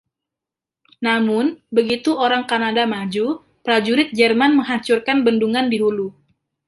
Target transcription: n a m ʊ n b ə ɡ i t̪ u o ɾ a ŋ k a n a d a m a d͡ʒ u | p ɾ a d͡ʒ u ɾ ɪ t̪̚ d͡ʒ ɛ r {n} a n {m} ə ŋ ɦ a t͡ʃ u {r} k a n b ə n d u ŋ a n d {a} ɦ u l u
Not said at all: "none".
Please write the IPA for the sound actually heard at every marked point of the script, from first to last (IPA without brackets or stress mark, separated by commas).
m, m, r, i